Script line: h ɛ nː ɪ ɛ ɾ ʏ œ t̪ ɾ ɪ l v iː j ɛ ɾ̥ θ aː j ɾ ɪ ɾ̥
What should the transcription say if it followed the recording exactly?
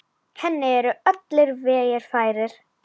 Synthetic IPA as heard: h ɛ nː ɪ ɛ ɾ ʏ œ t̪ l ɪ ɾ v ɛː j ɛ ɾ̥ f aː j ɾ ɪ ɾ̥